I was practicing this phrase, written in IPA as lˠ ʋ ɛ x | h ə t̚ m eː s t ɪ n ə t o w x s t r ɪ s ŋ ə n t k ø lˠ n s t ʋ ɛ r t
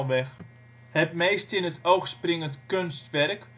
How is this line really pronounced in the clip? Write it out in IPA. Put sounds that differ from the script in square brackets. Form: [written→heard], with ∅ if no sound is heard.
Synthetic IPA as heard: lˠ ʋ ɛ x | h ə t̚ m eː s t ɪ n ə t o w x s [t→p] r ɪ [s→∅] ŋ ə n t k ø [lˠ→∅] n s t ʋ ɛ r [t→k]